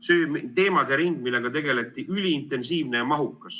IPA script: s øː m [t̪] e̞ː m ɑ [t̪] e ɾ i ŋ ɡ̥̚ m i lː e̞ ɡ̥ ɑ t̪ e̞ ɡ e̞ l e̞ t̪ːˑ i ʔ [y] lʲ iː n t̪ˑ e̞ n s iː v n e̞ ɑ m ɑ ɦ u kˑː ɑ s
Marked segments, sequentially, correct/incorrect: correct, incorrect: d̪, correct

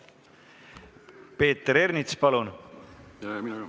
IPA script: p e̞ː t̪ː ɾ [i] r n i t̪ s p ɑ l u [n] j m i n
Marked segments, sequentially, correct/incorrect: incorrect: e, correct

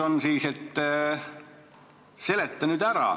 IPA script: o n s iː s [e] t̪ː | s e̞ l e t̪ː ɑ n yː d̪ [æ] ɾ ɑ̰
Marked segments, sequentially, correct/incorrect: correct, correct

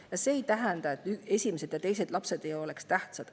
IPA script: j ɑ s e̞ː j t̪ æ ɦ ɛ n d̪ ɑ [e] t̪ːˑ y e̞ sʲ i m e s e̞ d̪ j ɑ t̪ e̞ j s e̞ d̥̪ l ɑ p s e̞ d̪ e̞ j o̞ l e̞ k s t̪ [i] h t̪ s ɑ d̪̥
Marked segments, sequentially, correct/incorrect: correct, incorrect: æ

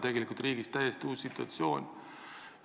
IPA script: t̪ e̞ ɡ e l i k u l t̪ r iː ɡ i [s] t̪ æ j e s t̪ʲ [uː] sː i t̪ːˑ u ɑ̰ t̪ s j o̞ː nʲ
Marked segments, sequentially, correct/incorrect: correct, correct

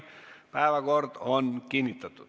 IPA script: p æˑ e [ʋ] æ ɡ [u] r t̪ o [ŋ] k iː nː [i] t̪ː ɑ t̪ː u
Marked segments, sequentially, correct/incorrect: correct, incorrect: o, incorrect: n, correct

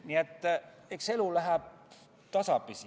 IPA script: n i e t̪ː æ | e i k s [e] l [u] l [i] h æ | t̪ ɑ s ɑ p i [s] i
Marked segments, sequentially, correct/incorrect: correct, correct, incorrect: æ, correct

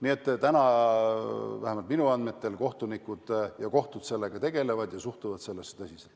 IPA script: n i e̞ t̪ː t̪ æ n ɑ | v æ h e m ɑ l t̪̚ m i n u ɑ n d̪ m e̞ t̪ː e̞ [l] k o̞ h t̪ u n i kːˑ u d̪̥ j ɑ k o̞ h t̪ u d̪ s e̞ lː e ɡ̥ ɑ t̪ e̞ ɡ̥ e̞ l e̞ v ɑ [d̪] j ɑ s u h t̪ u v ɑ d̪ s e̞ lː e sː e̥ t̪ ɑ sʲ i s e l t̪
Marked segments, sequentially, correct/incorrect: correct, correct

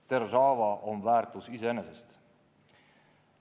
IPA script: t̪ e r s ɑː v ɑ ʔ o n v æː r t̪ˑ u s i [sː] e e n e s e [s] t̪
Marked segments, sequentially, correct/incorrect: incorrect: s, correct

